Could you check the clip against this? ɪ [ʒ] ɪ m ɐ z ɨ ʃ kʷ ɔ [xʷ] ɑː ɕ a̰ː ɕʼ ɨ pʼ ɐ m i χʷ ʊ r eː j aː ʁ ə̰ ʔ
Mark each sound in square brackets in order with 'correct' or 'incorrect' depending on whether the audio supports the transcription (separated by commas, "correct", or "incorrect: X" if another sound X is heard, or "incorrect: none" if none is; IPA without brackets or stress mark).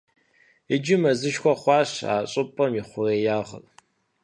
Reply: incorrect: d͡ʒ, incorrect: χʷ